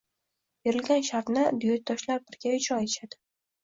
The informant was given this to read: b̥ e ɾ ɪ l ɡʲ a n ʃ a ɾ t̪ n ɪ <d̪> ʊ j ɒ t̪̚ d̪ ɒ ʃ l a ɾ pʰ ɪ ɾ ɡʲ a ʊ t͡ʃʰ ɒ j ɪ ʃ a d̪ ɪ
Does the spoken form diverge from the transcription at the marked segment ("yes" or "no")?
no